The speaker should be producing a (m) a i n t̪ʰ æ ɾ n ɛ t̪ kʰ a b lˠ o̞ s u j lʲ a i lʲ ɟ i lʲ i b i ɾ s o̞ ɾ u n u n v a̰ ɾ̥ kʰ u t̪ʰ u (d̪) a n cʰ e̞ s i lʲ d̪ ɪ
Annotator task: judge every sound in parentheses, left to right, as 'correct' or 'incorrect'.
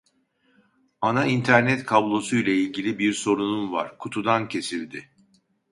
incorrect: n, correct

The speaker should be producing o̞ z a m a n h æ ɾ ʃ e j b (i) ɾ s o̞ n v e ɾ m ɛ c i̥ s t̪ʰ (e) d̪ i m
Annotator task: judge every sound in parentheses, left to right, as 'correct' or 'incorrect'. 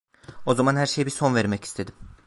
correct, correct

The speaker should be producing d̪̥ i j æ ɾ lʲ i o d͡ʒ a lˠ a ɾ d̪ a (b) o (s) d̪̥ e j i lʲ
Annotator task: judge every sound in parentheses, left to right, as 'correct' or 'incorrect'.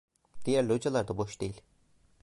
correct, incorrect: ʃ

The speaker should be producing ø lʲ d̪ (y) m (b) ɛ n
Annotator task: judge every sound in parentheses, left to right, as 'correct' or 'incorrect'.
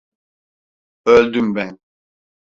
correct, correct

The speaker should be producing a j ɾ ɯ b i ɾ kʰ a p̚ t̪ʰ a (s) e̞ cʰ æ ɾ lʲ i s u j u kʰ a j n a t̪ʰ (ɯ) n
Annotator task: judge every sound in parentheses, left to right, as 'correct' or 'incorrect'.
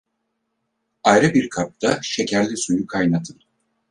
incorrect: ʃ, correct

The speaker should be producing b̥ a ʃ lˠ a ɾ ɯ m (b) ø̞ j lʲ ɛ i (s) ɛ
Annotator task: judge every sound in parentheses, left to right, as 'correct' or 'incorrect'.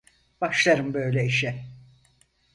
correct, incorrect: ʃ

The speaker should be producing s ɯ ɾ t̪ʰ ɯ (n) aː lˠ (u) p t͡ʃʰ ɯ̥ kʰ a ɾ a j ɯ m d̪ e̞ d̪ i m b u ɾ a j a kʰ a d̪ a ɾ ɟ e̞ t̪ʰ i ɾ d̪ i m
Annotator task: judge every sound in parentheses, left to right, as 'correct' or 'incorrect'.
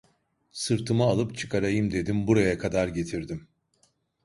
incorrect: m, incorrect: ɯ

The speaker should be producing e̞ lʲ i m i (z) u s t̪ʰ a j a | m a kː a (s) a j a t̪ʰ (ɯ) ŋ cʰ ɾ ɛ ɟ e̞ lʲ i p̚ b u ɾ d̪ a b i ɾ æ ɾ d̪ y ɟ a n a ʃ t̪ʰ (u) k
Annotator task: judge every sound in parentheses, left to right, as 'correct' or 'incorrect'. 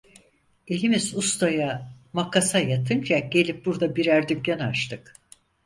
correct, correct, correct, incorrect: ɯ

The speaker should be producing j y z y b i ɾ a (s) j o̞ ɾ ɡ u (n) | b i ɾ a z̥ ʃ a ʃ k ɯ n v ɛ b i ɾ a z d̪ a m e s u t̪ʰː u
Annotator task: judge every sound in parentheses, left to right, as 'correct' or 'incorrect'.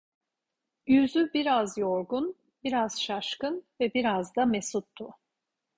incorrect: z, correct

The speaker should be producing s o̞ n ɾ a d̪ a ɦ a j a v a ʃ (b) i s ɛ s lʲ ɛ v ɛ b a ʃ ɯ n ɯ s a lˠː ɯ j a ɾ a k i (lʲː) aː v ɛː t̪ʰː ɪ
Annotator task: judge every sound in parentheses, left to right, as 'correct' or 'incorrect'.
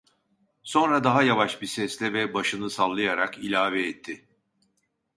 correct, incorrect: lʲ

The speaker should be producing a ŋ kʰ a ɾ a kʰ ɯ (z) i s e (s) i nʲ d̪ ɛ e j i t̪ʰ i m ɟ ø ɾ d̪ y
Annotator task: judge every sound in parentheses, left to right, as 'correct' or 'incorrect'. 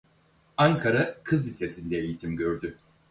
correct, correct

